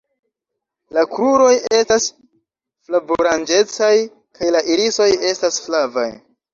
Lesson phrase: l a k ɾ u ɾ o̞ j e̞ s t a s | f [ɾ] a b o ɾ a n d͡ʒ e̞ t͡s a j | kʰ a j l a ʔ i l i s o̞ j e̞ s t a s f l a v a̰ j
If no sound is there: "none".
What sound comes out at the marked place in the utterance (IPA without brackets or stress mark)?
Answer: l